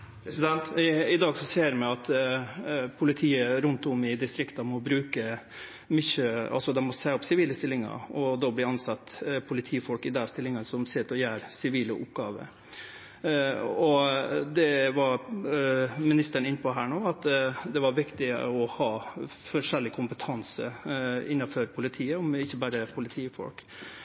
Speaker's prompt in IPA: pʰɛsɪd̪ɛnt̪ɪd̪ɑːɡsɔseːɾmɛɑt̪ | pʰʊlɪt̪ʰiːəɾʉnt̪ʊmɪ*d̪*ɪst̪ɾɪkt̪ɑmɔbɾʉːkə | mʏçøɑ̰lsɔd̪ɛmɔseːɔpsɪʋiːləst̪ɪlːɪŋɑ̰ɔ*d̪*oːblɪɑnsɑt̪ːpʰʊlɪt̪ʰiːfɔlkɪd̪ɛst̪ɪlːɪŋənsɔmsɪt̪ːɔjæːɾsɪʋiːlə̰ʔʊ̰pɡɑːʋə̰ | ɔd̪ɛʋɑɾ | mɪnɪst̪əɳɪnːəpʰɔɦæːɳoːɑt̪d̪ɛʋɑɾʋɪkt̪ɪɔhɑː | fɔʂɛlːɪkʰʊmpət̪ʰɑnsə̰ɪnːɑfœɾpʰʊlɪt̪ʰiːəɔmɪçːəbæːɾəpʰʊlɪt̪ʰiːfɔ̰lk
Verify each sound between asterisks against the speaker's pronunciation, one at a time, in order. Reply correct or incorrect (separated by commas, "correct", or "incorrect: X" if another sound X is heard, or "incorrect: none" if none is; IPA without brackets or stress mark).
correct, correct